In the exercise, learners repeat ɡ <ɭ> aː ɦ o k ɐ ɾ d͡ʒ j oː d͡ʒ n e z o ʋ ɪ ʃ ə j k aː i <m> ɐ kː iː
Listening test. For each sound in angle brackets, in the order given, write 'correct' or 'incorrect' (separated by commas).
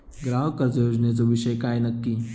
incorrect, incorrect